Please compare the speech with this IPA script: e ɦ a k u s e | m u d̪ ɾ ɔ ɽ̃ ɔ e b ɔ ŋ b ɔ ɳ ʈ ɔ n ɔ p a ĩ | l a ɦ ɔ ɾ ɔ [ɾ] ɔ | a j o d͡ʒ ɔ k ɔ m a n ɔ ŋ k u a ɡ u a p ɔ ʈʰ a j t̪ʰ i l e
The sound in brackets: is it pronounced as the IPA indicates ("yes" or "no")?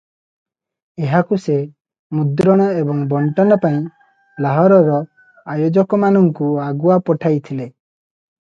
yes